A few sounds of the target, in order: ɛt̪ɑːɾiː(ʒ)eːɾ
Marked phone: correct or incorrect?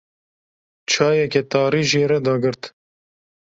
correct